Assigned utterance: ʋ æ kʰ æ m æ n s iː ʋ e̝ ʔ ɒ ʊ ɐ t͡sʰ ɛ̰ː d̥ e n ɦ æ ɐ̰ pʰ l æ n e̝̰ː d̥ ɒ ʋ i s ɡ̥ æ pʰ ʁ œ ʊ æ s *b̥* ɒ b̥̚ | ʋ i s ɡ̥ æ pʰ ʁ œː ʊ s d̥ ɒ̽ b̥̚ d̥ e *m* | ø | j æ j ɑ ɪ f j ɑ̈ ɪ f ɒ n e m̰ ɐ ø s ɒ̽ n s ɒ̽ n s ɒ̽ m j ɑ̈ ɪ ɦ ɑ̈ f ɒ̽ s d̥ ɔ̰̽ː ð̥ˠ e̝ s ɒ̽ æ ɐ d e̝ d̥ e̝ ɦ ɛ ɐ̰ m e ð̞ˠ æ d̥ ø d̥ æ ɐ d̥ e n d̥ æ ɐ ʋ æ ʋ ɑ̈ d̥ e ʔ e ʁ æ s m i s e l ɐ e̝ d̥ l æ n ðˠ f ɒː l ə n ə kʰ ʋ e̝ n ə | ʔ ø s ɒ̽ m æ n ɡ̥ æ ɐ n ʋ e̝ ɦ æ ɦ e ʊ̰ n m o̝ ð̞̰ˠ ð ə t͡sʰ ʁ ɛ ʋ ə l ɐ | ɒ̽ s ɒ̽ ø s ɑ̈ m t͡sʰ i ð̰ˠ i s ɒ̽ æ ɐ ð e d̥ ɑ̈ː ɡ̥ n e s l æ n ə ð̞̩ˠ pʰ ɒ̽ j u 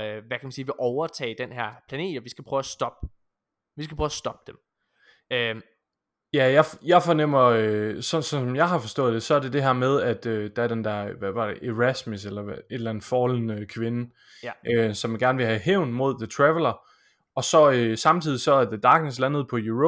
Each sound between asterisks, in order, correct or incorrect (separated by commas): incorrect, correct